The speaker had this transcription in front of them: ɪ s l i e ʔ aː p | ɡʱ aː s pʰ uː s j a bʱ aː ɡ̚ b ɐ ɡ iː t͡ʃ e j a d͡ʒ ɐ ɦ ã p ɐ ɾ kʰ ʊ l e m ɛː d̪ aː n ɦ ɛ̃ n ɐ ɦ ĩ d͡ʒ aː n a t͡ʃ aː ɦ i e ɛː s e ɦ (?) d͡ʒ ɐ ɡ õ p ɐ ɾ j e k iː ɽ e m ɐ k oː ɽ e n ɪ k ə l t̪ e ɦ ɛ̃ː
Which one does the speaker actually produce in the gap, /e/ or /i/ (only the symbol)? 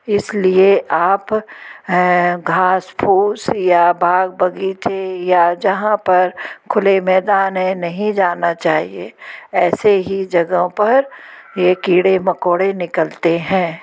i